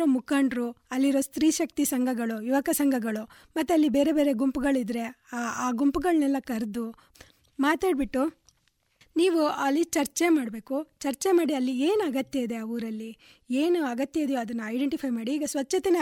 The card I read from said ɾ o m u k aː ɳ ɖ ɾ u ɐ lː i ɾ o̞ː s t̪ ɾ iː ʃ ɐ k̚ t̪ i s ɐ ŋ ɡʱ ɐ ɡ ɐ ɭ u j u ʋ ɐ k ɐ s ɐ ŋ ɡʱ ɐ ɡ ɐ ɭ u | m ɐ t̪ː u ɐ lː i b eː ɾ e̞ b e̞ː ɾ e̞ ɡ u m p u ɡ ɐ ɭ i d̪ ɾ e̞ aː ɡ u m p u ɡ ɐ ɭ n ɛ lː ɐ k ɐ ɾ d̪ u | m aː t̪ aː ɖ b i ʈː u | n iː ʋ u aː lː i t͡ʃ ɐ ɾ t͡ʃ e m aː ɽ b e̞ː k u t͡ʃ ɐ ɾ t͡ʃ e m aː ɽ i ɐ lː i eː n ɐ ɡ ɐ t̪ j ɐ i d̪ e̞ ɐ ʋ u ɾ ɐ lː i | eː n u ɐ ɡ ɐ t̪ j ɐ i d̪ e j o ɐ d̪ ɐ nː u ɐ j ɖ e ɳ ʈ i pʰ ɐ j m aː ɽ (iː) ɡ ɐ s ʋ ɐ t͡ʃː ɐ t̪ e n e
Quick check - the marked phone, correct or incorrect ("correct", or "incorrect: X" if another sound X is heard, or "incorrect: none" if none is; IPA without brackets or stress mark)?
correct